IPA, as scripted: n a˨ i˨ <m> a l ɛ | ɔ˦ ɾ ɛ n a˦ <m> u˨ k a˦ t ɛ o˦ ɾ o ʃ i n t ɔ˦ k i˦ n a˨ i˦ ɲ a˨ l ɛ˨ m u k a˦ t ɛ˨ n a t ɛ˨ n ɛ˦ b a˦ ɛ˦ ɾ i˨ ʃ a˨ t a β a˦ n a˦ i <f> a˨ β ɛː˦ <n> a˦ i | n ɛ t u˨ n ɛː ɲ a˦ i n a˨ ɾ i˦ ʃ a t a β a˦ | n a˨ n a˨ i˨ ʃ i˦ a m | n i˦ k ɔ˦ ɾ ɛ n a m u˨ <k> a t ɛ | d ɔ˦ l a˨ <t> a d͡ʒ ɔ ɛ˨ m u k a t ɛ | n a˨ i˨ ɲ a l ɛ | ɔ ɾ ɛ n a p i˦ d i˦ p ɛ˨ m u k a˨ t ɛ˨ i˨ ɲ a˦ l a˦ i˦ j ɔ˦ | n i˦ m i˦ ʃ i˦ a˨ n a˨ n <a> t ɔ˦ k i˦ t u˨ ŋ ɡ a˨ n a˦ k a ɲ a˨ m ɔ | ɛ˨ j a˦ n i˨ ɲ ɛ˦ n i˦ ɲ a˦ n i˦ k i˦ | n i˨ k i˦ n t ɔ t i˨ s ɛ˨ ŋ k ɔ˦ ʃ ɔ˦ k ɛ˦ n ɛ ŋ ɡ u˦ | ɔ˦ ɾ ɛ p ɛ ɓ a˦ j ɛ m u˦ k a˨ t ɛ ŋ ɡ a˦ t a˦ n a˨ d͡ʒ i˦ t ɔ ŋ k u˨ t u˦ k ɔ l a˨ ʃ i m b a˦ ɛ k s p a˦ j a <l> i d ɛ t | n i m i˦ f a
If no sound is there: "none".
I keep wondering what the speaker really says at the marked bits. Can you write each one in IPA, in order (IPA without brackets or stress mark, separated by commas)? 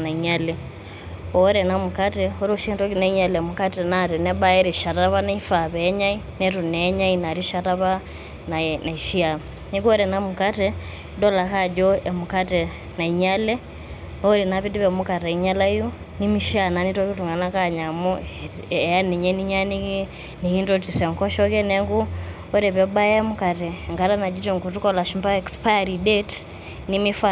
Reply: ɲ, m, f, ɲ, k, k, i, ɾ